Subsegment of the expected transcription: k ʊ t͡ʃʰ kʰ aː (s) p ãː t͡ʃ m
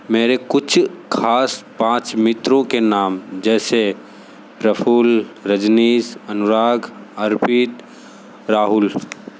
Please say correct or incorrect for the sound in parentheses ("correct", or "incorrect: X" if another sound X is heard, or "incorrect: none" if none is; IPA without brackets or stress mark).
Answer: correct